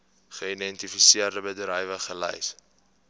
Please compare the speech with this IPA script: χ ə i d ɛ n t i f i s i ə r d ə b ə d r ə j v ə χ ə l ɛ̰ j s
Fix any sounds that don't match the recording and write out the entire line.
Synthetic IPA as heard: χ ə i d ɛ n t i f i s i ə r d ə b ə d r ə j v ə χ ə l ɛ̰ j s